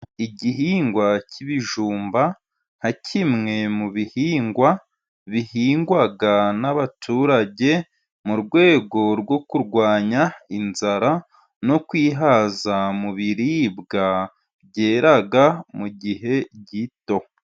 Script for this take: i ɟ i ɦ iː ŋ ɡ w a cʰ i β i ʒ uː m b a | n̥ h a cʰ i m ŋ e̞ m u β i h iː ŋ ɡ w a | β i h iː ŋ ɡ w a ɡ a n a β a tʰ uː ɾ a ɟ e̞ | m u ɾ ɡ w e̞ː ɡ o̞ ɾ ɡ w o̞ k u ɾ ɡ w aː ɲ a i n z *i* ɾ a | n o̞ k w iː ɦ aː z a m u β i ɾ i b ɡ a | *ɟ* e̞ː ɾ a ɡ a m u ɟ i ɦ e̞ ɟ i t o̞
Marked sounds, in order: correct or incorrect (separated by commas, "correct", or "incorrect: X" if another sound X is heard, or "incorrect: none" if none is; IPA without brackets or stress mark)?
incorrect: a, correct